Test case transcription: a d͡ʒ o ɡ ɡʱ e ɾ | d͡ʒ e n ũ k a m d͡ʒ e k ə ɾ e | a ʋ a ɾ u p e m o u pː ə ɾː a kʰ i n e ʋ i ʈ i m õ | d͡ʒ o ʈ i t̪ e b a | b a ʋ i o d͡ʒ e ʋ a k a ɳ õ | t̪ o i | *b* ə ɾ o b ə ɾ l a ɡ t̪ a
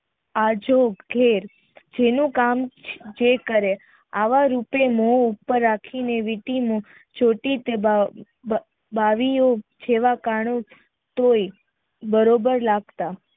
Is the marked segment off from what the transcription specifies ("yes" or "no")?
no